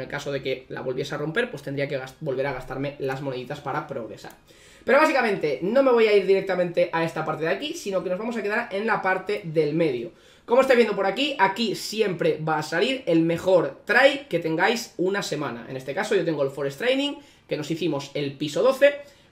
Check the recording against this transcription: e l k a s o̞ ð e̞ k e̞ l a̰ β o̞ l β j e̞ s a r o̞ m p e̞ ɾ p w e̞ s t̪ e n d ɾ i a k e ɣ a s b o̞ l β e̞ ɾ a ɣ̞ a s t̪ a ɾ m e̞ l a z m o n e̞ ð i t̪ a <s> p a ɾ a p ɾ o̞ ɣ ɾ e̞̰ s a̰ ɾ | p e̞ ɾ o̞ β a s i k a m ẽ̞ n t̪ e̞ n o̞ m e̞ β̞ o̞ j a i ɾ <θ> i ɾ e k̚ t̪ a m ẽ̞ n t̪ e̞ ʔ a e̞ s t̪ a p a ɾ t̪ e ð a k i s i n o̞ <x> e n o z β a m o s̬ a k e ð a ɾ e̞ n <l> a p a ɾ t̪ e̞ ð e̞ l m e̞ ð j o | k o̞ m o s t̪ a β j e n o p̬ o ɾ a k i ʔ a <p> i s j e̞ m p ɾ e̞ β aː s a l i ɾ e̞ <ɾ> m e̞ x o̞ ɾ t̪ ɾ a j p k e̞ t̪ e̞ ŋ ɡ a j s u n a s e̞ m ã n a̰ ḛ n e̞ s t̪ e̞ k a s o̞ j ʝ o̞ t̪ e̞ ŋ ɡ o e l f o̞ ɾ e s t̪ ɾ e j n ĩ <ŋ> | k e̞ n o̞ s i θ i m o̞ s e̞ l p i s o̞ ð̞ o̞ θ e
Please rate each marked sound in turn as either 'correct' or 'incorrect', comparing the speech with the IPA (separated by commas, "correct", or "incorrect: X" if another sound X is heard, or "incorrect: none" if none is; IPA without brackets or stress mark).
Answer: correct, incorrect: ð, incorrect: k, correct, incorrect: k, incorrect: l, correct